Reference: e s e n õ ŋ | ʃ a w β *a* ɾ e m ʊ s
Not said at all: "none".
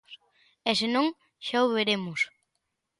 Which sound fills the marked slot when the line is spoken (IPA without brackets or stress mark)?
e